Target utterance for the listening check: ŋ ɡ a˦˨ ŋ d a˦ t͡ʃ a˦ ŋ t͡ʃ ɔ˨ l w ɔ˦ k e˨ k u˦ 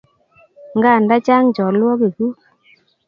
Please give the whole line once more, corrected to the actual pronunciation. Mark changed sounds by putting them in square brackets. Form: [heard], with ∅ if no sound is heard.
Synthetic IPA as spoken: ŋ ɡ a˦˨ [n] d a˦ t͡ʃ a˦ ŋ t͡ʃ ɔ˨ l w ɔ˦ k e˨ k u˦